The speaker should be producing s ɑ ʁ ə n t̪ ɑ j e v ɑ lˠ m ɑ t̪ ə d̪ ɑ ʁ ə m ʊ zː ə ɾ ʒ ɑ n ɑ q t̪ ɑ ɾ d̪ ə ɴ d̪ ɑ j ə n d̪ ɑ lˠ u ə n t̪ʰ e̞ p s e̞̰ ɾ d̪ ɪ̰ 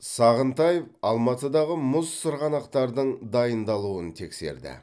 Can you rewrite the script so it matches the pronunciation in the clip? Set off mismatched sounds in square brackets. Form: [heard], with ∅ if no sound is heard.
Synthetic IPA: s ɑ ʁ ə n t̪ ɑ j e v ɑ lˠ m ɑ t̪ ə d̪ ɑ ʁ ə m ʊ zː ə ɾ [ʁ] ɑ n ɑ q t̪ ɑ ɾ d̪ ə ɴ d̪ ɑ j ə n d̪ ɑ lˠ u ə n t̪ʰ e̞ [k] s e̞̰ ɾ d̪ ɪ̰